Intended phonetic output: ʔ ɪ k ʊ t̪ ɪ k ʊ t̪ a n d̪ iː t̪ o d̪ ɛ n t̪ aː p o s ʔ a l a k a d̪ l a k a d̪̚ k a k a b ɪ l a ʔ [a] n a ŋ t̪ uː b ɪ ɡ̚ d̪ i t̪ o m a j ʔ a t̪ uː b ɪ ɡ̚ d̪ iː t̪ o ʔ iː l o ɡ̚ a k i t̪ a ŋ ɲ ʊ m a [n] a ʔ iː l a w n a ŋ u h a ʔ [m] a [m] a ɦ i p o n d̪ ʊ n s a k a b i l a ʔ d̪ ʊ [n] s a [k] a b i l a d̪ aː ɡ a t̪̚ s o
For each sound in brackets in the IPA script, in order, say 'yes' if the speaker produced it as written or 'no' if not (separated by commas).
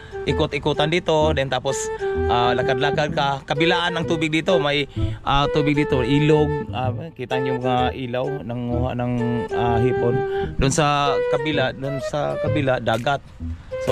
yes, no, no, no, yes, yes